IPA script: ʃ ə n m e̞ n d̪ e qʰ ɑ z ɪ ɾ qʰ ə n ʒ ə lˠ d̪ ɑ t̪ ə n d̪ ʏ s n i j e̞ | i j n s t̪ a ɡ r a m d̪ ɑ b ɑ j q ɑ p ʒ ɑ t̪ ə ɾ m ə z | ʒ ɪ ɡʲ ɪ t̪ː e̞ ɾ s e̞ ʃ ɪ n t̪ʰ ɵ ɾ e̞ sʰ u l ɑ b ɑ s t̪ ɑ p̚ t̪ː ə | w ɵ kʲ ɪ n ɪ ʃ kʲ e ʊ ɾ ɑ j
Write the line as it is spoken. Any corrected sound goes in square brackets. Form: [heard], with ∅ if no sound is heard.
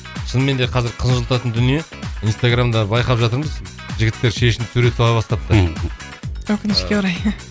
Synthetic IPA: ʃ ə n m e̞ n d̪ e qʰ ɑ z ɪ ɾ qʰ ə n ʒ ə lˠ [t̪] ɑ t̪ ə n d̪ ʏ [∅] n i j e̞ | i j n s t̪ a ɡ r a m d̪ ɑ b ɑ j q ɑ p ʒ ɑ t̪ ə ɾ m ə z | ʒ ɪ ɡʲ ɪ t̪ː e̞ ɾ [ʃ] e̞ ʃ ɪ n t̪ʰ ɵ ɾ e̞ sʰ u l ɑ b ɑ s t̪ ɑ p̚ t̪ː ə | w ɵ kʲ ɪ n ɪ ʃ kʲ e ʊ ɾ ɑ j